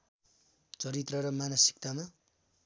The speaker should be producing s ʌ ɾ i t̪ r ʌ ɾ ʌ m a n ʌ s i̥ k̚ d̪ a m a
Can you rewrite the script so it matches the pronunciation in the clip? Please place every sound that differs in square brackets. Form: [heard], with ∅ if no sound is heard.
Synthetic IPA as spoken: [t͡s] ʌ ɾ i t̪ r ʌ ɾ ʌ m a n ʌ s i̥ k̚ [t̪] a m a